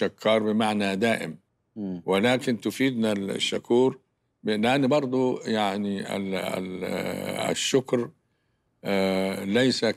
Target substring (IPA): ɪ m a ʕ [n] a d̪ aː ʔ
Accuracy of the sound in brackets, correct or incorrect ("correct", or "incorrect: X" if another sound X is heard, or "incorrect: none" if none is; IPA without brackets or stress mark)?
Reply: correct